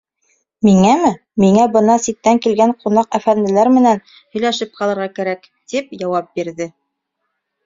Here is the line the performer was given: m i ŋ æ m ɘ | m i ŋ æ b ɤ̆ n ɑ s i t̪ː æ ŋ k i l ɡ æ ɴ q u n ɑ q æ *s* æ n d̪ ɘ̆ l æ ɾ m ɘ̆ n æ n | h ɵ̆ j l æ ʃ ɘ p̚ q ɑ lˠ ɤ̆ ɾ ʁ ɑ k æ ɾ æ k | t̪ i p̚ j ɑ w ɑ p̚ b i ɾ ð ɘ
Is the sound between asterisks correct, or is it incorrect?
incorrect